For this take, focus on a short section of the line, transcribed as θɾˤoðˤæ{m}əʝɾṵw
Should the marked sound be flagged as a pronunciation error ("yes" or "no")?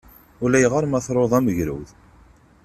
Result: no